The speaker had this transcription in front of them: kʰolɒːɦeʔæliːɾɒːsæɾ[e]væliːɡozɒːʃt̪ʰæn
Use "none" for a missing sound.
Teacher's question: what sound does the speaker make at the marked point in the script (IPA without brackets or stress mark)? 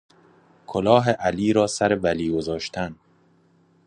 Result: e